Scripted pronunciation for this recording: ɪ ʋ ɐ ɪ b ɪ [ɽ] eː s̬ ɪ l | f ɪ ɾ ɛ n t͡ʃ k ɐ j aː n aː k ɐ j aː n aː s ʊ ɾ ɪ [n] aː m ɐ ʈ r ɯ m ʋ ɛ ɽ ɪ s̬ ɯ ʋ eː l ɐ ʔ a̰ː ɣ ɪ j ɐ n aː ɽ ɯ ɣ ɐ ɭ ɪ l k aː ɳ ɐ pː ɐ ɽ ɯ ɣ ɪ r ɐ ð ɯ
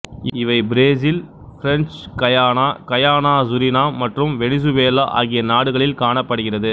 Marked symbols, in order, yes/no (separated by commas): no, yes